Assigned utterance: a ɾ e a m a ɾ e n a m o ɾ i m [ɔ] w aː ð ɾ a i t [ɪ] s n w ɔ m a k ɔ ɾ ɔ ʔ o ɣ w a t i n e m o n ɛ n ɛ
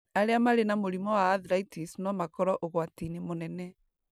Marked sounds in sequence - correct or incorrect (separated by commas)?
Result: correct, incorrect